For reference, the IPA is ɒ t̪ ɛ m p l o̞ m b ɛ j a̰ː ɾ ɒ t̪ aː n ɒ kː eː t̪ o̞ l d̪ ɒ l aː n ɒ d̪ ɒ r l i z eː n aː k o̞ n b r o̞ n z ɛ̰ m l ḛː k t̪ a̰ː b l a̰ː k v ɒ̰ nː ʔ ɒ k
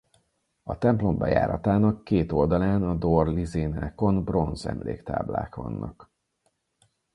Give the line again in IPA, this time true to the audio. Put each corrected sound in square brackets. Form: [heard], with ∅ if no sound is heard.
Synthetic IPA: ɒ t̪ ɛ m p l o̞ m b ɛ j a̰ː ɾ ɒ t̪ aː n ɒ kː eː t̪ o̞ l d̪ ɒ l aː n ɒ d̪ [o] r l i z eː n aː k o̞ n b r o̞ n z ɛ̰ m l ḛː k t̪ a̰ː b l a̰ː k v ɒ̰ nː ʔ ɒ k

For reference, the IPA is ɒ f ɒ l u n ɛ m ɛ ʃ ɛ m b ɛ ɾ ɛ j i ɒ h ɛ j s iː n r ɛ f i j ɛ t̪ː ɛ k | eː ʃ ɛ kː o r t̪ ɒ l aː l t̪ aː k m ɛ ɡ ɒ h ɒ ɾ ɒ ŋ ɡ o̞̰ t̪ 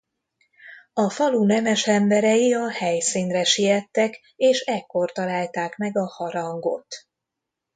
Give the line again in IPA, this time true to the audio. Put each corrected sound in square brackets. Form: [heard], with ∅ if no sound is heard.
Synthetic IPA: ɒ f ɒ l u n ɛ m ɛ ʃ ɛ m b ɛ ɾ ɛ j i ɒ h ɛ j s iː n r ɛ [ʃ] i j ɛ t̪ː ɛ k | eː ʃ ɛ kː o r t̪ ɒ l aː l t̪ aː k m ɛ ɡ ɒ h ɒ ɾ ɒ ŋ ɡ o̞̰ t̪

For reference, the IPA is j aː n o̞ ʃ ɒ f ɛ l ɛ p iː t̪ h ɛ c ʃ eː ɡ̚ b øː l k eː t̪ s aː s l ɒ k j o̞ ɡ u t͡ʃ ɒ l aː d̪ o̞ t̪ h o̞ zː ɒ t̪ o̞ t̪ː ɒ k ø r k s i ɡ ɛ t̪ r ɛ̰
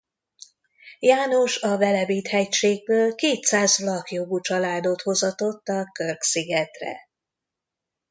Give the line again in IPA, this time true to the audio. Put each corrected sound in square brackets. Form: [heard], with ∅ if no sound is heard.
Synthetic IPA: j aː n o̞ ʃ ɒ [v] ɛ l ɛ [b] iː t̪ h ɛ c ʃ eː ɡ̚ b øː l k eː t̪ s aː [z] l ɒ k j o̞ ɡ u t͡ʃ ɒ l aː d̪ o̞ t̪ h o̞ [z] ɒ t̪ o̞ t̪ː ɒ k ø r k s i ɡ ɛ t̪ r ɛ̰

